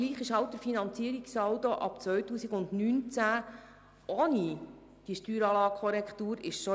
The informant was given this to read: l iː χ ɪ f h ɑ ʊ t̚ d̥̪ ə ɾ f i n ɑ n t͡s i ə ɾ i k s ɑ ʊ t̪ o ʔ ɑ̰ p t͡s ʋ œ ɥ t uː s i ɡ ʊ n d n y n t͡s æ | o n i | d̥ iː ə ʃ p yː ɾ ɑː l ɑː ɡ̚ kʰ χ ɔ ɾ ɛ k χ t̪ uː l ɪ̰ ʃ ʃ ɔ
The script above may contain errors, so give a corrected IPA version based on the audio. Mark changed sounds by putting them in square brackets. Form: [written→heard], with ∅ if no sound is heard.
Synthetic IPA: l iː χ ɪ [f→ʃ] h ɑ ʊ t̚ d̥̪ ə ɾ f i n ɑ n t͡s i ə ɾ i k s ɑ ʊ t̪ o ʔ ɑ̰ p t͡s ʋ œ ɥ t uː s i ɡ ʊ n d n y n t͡s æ | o n i | d̥ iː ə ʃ [p→t] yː ɾ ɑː l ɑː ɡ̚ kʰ χ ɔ ɾ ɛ k χ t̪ uː [l→ɾ] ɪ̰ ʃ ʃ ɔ